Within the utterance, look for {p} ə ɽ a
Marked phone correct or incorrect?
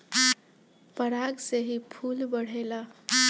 correct